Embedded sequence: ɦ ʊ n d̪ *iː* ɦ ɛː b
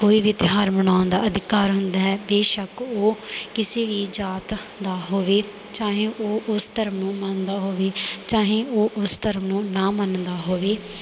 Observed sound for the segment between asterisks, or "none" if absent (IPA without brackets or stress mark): aː